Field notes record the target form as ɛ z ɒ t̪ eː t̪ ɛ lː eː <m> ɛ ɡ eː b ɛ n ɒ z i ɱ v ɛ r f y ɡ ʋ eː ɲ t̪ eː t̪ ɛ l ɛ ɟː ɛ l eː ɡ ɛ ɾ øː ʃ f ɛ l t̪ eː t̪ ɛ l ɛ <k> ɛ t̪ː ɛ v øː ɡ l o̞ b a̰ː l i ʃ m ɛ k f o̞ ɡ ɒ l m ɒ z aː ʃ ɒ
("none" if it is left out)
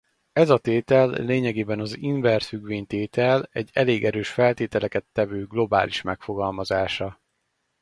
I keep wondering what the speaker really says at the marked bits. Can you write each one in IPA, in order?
ɲ, k

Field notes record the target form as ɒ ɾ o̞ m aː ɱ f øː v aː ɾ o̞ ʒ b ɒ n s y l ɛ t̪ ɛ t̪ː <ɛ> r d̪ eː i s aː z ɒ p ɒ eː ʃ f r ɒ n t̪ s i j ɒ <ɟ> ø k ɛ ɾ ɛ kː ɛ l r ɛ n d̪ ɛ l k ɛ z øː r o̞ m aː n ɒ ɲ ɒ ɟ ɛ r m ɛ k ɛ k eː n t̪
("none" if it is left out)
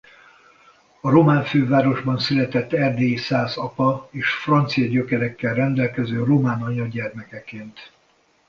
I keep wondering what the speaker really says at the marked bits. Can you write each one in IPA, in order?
ɛ, ɟ

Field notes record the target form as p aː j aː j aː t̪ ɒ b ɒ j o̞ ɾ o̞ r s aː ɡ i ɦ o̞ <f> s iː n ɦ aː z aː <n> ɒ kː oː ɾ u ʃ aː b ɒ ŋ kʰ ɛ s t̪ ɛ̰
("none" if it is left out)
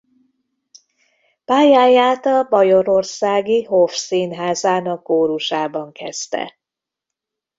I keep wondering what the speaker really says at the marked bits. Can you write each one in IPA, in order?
f, n

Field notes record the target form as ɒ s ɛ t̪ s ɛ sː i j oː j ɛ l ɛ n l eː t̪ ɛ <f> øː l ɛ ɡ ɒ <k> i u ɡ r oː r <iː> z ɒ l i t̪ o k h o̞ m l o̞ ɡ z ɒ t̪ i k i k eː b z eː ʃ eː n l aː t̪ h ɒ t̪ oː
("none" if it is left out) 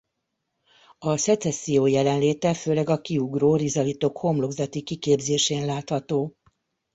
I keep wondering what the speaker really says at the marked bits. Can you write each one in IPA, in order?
f, k, i

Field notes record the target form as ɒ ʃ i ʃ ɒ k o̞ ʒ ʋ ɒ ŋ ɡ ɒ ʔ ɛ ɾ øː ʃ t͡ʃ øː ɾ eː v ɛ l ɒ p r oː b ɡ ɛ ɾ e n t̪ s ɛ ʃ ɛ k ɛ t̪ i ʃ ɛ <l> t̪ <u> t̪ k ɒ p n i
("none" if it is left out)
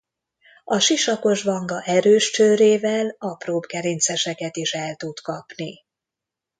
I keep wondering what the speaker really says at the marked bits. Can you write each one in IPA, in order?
l, u

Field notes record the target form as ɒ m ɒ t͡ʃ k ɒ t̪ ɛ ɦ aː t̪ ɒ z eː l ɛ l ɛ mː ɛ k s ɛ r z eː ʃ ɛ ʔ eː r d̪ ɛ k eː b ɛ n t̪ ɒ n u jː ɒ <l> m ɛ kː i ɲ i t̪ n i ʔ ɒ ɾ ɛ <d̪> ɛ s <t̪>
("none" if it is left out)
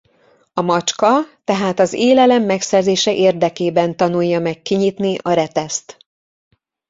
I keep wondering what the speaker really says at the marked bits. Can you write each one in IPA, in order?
none, t̪, t̪

